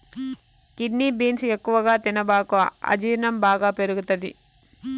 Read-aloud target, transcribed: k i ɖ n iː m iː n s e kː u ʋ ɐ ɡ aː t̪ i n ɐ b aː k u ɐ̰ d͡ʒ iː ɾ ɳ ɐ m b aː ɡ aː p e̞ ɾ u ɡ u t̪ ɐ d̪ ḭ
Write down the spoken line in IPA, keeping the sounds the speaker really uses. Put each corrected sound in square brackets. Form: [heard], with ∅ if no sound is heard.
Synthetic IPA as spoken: k i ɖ n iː [b] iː n s e kː u ʋ ɐ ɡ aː t̪ i n ɐ b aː k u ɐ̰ d͡ʒ iː ɾ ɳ ɐ m b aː ɡ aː p e̞ ɾ u ɡ u t̪ ɐ d̪ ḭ